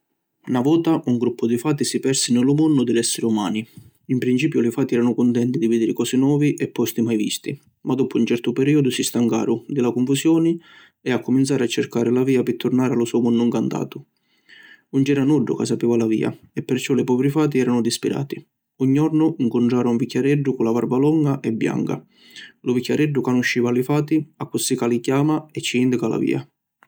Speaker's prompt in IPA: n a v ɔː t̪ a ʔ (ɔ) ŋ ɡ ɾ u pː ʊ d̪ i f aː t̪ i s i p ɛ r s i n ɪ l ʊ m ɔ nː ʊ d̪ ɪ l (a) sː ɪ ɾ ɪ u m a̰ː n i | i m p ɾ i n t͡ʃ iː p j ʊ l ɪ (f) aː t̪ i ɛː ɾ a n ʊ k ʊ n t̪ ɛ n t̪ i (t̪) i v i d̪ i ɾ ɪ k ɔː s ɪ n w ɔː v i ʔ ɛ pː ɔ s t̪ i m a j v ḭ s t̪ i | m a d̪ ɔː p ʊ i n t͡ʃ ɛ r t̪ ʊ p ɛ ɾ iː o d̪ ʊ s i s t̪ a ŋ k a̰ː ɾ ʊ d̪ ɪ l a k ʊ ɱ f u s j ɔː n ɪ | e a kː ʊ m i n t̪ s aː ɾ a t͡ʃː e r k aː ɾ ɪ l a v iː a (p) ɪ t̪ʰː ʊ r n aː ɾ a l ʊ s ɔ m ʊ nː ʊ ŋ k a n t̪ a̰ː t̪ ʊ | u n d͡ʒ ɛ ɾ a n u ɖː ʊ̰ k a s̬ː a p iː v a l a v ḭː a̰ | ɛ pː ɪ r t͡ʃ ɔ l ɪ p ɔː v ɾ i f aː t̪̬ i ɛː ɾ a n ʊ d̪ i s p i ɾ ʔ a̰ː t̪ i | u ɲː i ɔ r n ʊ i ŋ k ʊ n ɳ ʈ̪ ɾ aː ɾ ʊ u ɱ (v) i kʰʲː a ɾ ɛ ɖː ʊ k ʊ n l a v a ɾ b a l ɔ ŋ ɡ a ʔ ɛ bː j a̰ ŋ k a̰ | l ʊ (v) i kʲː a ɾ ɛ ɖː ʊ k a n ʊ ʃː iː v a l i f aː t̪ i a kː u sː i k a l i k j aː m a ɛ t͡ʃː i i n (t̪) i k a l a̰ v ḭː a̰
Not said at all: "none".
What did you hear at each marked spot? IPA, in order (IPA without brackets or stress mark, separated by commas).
u, ɛ, f, d̪, p, v, v, d̪